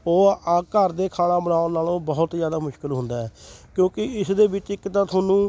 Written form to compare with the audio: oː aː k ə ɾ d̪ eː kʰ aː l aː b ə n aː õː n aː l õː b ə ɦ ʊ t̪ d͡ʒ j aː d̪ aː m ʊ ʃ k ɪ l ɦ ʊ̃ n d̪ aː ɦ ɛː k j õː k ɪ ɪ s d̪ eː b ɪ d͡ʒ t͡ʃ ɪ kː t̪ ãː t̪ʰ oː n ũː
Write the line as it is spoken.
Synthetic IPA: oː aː k ə ɾ d̪ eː kʰ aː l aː b ə n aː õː n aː l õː b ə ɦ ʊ t̪ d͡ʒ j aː d̪ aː m ʊ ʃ k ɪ l ɦ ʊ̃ n d̪ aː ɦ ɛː k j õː k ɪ ɪ s d̪ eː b ɪ t͡ʃ ɪ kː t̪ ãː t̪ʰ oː n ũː